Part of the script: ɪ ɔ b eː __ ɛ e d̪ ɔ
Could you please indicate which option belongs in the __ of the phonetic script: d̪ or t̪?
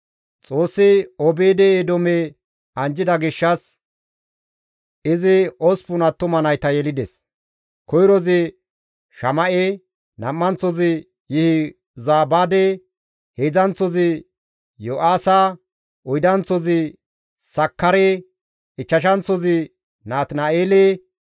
d̪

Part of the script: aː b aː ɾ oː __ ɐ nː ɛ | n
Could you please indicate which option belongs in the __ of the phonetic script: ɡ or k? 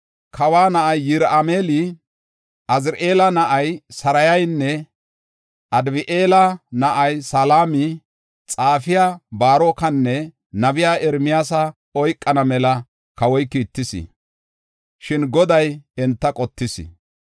k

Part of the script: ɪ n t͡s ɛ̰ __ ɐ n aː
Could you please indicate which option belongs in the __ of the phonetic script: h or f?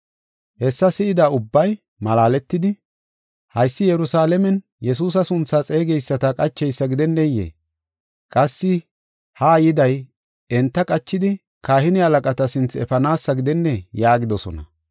f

